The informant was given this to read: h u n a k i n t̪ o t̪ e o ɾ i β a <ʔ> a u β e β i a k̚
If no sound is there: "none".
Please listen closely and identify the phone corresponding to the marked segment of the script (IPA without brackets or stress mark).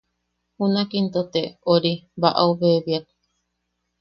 ʔ